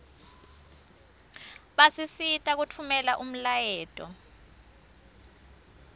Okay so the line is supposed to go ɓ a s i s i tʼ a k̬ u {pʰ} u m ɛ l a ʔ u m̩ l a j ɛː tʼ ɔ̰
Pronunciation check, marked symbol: incorrect: tʰ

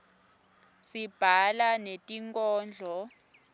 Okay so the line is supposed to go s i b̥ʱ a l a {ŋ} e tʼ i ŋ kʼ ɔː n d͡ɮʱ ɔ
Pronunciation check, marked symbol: incorrect: n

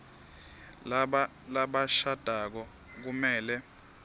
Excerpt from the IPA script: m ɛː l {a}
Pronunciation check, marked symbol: incorrect: ɛ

